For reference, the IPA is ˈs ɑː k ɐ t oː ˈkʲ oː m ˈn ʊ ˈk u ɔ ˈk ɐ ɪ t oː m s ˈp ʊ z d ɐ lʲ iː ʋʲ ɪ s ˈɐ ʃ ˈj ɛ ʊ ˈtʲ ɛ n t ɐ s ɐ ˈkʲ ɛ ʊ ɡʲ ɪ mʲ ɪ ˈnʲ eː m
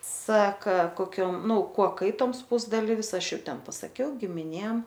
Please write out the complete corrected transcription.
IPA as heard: ˈs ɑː k ɐ k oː ˈkʲ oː m ˈn ʊ ˈk u ɔ ˈk ɐ ɪ t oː m s ˈp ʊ z d ɐ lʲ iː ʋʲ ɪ s ˈɐ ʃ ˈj ɛ ʊ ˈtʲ ɛ n p ɐ s ɐ ˈkʲ ɛ ʊ ɡʲ ɪ mʲ ɪ ˈnʲ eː m